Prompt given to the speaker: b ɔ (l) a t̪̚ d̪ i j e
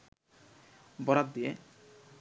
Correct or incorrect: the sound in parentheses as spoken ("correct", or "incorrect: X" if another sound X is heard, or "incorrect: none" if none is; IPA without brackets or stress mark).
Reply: incorrect: ɾ